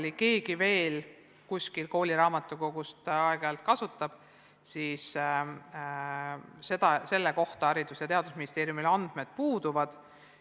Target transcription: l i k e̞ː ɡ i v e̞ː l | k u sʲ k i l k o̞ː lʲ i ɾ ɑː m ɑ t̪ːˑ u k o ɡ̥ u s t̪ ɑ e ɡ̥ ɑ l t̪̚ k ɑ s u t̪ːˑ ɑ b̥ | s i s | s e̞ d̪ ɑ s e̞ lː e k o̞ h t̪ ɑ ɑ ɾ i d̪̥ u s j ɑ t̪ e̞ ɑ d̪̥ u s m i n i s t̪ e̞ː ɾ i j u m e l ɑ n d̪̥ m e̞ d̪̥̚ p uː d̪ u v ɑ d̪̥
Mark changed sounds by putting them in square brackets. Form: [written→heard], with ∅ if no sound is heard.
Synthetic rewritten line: l i k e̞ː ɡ i v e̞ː l | k u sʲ k i l k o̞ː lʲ i ɾ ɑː m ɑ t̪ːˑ u k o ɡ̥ u s t̪ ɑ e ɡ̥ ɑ l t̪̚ k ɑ s u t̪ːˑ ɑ b̥ | s i s | s e̞ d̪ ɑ s e̞ lː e k o̞ h t̪ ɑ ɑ ɾ i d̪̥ u s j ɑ t̪ e̞ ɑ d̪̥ u s m i n i s t̪ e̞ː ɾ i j u m [e→i] l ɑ n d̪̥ m e̞ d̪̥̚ p uː d̪ u v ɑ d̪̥